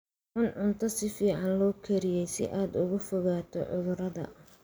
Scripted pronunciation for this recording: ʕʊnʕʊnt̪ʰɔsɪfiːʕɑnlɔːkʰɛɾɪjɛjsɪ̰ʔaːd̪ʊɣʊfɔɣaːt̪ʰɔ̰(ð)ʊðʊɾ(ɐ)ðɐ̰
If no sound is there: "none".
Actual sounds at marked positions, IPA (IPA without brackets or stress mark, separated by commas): ʕ, ɐ